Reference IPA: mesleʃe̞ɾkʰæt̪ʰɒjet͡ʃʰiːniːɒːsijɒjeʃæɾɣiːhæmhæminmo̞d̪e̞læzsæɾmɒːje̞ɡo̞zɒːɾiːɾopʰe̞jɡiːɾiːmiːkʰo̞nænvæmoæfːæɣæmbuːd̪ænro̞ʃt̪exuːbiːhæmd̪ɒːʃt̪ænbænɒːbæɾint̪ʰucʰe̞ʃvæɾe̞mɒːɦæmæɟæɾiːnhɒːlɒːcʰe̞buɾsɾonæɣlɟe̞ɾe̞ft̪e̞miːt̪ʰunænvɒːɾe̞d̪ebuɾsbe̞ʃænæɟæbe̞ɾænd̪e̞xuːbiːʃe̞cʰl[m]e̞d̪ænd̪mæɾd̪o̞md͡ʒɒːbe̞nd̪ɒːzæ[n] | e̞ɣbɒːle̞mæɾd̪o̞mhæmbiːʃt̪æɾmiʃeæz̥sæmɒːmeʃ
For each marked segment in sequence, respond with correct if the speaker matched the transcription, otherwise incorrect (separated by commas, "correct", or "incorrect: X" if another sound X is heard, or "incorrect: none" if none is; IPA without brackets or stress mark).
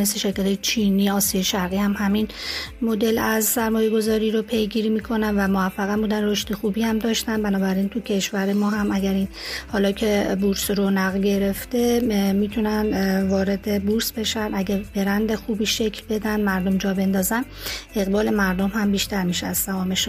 incorrect: b, correct